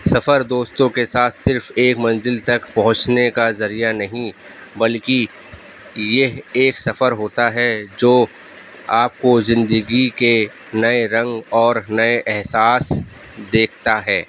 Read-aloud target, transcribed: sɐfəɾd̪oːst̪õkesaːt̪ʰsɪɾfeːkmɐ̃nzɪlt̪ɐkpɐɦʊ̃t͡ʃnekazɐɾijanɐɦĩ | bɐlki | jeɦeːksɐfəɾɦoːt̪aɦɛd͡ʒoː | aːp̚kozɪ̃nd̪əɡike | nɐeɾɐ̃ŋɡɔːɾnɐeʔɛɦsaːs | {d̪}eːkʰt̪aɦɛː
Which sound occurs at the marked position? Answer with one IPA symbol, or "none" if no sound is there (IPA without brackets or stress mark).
d̪